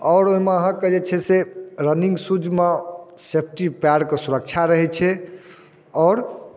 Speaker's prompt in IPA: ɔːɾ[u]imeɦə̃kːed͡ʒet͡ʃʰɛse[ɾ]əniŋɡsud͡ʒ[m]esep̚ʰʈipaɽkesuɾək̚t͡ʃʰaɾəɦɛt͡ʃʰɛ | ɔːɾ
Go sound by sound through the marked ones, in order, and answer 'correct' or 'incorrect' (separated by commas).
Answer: incorrect, correct, correct